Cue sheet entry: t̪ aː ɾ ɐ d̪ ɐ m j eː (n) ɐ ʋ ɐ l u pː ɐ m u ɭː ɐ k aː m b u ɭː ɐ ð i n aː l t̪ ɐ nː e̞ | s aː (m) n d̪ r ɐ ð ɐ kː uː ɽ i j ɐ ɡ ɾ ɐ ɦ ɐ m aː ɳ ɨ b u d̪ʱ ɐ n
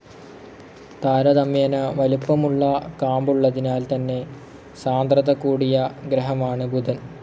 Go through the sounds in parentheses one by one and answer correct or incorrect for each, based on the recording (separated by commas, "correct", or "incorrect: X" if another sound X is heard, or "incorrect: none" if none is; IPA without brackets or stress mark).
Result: correct, incorrect: none